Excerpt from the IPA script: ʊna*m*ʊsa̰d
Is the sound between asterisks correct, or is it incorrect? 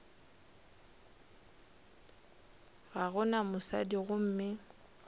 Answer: correct